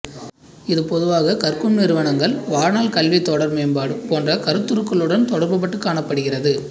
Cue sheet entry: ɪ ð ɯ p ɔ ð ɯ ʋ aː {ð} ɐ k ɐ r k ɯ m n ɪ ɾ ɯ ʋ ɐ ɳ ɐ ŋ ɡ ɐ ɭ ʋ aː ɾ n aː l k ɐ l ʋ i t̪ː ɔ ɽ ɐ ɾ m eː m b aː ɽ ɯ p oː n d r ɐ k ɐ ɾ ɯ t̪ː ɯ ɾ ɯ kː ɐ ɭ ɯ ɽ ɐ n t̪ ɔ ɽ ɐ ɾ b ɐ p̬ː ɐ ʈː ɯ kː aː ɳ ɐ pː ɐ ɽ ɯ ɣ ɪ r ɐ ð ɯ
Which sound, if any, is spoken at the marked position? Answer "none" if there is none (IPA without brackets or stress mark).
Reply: ɣ